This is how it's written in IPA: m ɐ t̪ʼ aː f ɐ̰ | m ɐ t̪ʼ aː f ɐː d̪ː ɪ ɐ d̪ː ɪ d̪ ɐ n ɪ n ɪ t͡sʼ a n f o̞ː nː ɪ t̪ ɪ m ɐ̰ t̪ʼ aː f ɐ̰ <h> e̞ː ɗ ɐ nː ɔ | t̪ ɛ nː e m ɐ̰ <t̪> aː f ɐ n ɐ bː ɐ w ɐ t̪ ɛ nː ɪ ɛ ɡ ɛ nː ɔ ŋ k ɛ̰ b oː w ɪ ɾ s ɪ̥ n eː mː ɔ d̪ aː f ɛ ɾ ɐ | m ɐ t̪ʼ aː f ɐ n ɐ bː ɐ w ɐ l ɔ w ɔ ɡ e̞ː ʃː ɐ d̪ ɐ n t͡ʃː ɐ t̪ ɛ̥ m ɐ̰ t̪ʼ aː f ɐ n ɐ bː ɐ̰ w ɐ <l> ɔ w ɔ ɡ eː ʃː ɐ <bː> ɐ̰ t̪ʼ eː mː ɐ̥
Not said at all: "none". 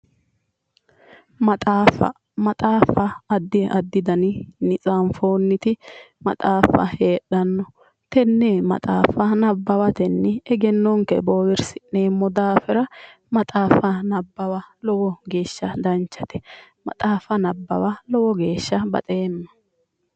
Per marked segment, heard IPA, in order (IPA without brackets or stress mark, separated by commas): h, t̪ʼ, l, b